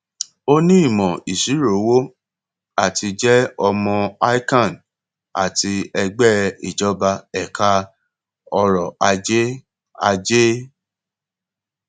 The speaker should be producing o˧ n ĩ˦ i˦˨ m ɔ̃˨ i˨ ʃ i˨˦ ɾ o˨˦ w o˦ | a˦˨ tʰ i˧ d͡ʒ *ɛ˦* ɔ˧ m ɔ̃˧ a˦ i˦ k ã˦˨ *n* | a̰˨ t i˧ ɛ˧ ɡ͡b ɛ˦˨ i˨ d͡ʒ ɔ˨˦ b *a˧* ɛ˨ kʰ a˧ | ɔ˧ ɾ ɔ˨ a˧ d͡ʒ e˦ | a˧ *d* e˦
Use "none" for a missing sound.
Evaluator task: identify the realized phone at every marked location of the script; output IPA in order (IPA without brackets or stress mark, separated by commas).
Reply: ɛ˦, n, a˧, d͡ʒ